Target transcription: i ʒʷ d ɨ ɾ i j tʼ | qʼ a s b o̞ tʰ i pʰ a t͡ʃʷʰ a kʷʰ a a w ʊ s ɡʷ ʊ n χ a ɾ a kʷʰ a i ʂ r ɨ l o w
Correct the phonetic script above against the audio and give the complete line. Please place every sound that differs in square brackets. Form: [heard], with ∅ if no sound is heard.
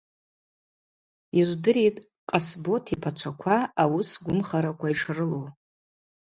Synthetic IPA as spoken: i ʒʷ d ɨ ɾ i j tʼ | qʼ a s b o̞ tʰ i pʰ a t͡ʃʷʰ a kʷʰ a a w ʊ s ɡʷ ʊ [m] χ a ɾ a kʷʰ a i ʂ r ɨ l o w